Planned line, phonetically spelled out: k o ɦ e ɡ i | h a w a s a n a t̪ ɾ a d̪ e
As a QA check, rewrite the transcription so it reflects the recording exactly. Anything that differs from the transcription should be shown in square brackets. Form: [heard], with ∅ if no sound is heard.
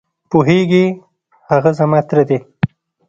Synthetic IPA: [p] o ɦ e ɡ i | h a [ɣ] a [z] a [m] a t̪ ɾ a d̪ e